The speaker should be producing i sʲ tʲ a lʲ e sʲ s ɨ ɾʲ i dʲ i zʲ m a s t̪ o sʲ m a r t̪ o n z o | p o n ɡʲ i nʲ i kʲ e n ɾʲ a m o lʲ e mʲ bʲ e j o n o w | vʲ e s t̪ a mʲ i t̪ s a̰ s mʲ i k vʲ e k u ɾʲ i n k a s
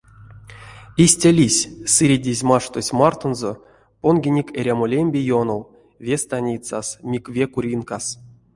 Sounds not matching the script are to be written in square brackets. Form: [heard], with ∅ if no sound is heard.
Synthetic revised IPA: i sʲ tʲ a lʲ [i] sʲ s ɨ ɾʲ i dʲ i zʲ m a [ʂ] t̪ o sʲ m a r t̪ o n z o | p o n ɡʲ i nʲ i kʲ e [∅] ɾʲ a m o lʲ e mʲ bʲ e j o n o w | vʲ e s t̪ a [nʲ] i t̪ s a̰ s mʲ i k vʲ e k u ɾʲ i n k a s